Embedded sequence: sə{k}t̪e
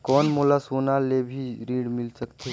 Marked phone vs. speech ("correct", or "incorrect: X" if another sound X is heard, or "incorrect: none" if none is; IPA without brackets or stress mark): correct